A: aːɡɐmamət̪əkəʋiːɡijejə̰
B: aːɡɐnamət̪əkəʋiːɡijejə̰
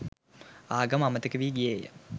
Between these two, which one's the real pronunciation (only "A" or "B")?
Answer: A